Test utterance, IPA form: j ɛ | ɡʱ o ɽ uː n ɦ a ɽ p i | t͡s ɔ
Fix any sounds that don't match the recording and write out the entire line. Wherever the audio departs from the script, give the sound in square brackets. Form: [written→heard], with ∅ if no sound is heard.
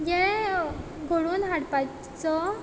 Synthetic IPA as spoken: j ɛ | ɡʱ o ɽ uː n ɦ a ɽ p [i→a] | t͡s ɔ